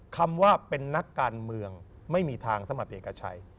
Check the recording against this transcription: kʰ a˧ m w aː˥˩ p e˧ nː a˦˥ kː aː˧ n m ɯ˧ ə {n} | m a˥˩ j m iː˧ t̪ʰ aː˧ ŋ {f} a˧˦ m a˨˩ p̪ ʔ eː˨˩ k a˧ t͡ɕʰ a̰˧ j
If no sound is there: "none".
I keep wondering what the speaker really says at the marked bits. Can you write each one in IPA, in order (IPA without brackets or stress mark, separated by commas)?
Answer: ŋ, s